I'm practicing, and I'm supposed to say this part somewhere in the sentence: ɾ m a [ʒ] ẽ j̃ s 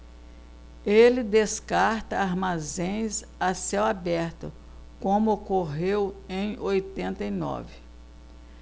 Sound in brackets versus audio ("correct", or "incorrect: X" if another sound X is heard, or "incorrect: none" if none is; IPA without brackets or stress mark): incorrect: z